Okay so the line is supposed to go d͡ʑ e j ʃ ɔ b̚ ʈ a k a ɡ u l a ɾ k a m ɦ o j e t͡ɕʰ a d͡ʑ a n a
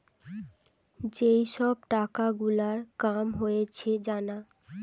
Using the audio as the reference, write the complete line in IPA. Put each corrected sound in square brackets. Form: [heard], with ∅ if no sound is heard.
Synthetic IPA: d͡ʑ e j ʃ ɔ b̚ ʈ a k a ɡ u l a ɾ k a m ɦ o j e t͡ɕʰ [e] d͡ʑ a n a